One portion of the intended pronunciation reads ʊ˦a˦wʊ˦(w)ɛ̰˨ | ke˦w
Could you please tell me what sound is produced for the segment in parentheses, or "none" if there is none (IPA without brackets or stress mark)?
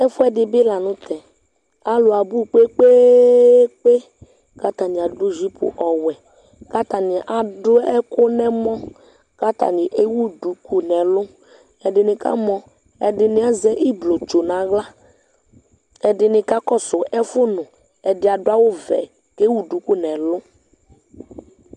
v